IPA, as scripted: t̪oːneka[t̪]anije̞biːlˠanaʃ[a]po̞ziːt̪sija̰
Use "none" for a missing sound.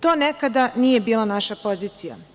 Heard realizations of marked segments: d̪, a

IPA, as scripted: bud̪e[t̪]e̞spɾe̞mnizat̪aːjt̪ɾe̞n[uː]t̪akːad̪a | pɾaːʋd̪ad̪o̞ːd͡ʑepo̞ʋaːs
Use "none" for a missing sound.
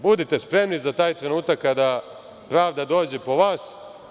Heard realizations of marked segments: t̪, uː

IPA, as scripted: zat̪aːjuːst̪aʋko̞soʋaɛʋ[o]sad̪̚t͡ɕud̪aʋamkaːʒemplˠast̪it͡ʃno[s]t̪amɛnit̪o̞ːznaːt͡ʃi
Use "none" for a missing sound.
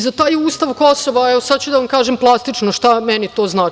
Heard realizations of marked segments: o, ʃ

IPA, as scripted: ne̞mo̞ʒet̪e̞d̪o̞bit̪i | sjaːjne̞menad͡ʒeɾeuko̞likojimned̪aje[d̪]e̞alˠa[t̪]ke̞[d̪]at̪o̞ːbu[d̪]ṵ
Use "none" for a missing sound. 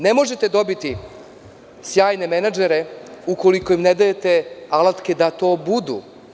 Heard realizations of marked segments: t̪, t̪, d̪, d̪

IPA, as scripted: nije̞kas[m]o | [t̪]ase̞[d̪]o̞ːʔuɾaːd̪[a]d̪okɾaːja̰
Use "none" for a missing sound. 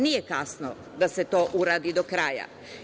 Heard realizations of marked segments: n, d̪, t̪, i

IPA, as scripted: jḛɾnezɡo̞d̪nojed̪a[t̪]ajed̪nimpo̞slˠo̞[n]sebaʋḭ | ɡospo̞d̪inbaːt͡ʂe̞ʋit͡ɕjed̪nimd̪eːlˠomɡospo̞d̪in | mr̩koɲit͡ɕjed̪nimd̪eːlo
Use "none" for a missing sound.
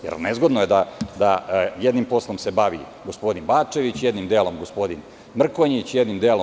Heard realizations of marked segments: d̪, m

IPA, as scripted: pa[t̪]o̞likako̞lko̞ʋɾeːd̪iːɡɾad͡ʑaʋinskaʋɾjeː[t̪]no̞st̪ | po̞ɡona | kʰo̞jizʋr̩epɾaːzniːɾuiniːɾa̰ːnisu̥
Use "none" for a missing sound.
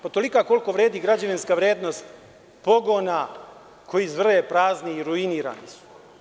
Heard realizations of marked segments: t̪, d̪

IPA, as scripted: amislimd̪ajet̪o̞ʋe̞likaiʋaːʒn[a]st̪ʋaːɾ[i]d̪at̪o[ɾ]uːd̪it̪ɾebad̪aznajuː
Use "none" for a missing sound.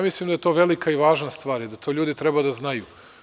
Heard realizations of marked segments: a, i, ʎ

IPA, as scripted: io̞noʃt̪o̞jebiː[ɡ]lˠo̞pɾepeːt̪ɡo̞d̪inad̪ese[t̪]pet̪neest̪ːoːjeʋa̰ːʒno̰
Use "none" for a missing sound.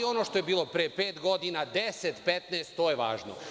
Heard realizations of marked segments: none, t̪

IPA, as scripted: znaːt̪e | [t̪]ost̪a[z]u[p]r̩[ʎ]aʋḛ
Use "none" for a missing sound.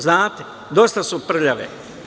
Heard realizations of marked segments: d̪, s, p, ʎ

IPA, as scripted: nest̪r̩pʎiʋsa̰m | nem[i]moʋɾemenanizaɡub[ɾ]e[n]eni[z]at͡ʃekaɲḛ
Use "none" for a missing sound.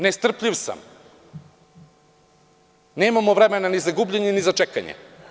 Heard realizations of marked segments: a, ʎ, ɲ, z

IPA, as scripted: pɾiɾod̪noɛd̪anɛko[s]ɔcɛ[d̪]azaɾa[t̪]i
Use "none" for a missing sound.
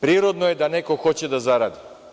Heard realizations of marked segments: x, d̪, d̪

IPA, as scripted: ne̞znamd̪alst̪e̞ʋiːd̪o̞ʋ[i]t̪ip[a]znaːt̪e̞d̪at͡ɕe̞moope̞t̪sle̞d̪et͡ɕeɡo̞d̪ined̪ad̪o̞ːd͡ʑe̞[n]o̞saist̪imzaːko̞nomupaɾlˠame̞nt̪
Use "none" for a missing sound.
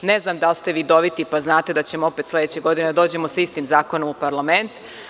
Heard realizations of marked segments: i, a, m

